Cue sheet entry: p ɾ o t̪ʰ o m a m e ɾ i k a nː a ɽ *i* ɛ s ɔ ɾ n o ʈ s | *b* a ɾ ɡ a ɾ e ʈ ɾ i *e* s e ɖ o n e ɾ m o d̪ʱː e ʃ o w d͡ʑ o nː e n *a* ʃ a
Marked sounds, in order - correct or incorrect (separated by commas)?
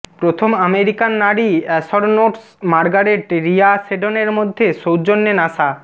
correct, incorrect, incorrect, correct